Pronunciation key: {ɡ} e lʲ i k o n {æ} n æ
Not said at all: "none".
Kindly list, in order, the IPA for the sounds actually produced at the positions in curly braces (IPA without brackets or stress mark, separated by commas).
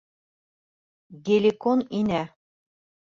ɡ, i